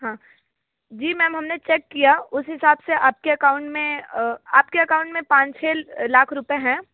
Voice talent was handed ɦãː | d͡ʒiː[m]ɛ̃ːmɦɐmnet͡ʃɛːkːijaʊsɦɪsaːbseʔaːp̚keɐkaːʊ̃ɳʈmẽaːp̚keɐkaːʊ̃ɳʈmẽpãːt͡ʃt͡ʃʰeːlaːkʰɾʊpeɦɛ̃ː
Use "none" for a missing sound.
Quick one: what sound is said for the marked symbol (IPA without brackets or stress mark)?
m